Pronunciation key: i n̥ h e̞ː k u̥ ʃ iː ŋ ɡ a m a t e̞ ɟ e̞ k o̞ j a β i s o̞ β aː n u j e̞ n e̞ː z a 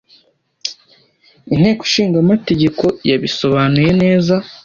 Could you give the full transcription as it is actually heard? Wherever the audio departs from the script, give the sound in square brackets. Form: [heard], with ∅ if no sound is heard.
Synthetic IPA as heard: i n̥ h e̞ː k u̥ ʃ iː ŋ ɡ a m a t e̞ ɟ e̞ k o̞ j a β i s o̞ β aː n u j e̞ n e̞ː z a